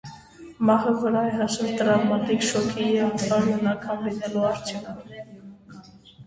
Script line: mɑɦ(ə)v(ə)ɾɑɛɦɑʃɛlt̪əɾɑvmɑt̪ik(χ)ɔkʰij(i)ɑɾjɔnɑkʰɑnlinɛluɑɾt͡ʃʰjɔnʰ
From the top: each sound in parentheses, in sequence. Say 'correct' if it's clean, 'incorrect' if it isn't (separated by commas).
correct, correct, incorrect, incorrect